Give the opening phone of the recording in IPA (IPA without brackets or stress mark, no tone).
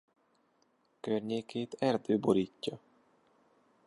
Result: k